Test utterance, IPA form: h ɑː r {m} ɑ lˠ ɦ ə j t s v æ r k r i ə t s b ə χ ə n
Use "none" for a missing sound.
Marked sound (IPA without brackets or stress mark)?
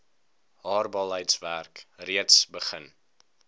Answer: b